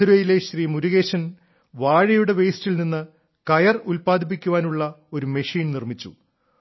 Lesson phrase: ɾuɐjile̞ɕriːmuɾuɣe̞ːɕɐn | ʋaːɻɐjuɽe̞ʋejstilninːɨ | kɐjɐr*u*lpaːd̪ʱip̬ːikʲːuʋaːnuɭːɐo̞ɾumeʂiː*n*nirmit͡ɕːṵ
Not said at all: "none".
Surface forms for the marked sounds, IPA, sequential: u, n

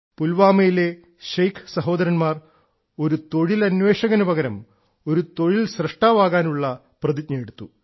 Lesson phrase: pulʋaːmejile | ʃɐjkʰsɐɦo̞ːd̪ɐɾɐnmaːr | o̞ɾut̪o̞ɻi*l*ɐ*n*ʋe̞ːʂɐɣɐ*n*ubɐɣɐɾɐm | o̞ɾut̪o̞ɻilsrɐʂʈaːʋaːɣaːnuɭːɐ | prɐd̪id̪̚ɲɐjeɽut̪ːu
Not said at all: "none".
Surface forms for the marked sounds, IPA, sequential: l, n, n

